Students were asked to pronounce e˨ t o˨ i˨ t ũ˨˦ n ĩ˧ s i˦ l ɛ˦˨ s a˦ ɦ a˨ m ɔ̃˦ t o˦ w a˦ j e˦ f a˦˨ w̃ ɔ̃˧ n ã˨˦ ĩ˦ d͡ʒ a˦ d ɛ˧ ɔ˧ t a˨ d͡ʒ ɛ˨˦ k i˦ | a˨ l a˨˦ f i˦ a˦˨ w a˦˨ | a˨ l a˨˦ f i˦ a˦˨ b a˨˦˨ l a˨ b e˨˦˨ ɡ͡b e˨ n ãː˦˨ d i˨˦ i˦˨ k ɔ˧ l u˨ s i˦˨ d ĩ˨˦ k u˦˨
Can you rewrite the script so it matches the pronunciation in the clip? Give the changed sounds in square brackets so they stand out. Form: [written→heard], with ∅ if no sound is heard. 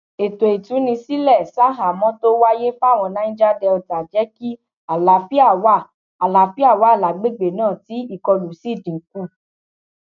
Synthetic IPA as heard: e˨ t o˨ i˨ t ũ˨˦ n ĩ˧ s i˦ l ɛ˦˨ s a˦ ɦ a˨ m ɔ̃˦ t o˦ w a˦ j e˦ f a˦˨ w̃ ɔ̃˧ n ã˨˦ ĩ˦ d͡ʒ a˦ d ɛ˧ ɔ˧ t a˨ d͡ʒ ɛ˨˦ k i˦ | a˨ l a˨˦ f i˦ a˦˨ w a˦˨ | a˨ l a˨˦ f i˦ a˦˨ [b→w] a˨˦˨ l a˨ [b→ɡ͡b] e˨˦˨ ɡ͡b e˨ n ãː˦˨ [d→t] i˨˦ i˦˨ k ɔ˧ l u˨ s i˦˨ d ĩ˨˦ k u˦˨